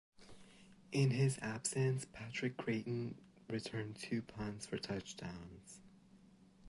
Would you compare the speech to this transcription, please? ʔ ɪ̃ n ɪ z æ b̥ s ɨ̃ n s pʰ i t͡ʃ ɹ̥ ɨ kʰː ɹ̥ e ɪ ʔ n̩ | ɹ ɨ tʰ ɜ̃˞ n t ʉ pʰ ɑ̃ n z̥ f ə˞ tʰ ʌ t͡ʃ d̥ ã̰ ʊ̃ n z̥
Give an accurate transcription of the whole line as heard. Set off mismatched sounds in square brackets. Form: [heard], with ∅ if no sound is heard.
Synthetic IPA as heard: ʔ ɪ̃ n ɪ z æ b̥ s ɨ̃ n s pʰ [æ] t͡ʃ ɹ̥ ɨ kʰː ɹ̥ e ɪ ʔ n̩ | ɹ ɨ tʰ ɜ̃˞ n [tʰ] ʉ pʰ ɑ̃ n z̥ f ə˞ tʰ ʌ t͡ʃ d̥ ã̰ ʊ̃ n z̥